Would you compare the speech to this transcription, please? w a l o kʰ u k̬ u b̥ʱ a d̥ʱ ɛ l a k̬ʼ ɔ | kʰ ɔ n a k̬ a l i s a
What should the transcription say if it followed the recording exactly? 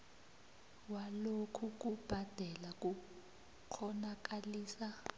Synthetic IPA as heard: w a l o kʰ u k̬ u b̥ʱ a d̥ʱ ɛ l a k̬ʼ u | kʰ ɔ n a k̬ a l iː s a